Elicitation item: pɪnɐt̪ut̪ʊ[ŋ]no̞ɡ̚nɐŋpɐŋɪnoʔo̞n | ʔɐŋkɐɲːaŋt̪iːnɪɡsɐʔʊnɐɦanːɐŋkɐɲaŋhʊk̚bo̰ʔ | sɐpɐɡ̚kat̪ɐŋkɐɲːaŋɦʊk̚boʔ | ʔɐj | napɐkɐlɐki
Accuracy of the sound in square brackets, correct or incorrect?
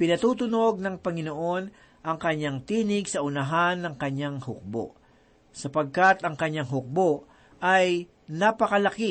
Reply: incorrect